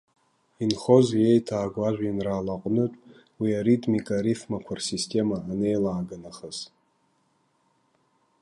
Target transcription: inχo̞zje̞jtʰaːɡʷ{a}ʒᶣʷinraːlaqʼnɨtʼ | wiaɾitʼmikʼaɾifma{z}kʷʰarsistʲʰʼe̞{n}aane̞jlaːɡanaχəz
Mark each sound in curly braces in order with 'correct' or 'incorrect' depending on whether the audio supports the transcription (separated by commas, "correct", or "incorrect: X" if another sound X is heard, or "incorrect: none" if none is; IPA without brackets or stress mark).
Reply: correct, incorrect: none, incorrect: m